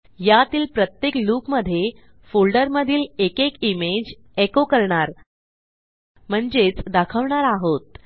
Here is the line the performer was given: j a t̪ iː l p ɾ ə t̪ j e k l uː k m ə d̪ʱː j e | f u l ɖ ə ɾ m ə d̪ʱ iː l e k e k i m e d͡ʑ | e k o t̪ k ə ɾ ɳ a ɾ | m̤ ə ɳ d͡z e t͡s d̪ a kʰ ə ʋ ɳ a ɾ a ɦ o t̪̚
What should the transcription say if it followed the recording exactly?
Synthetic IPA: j a t̪ iː l p ɾ ə t̪ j e k l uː k m ə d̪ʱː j e | f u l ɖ ə ɾ m ə d̪ʱ iː l e k e k i m e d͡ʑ | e k o k ə ɾ ɳ a ɾ | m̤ ə ɳ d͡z e t͡s d̪ a kʰ ə ʋ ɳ a ɾ a ɦ o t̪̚